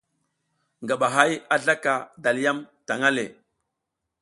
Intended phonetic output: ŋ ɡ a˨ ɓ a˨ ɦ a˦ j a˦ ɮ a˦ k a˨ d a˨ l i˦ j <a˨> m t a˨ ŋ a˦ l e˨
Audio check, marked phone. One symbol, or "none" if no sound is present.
a˦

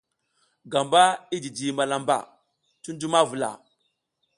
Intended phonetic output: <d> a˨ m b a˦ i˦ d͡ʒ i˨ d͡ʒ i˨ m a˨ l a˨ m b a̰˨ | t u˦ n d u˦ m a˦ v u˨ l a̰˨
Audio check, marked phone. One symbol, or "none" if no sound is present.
ɡ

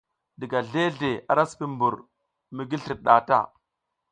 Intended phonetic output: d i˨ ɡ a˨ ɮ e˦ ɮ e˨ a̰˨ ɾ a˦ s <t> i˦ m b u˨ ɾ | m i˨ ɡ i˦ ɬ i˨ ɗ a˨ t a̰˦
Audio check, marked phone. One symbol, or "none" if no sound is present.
p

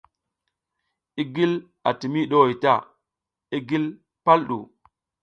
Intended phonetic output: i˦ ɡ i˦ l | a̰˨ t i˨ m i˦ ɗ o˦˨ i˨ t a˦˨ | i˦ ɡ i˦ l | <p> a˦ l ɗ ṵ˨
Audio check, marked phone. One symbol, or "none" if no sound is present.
p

